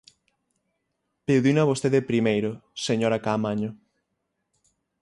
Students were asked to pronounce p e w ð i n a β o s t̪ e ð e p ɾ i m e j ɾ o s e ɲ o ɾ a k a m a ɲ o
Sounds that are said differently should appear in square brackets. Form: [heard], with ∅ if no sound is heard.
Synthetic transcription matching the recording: p e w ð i n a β o s t̪ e ð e p ɾ i m e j ɾ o s e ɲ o ɾ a k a m a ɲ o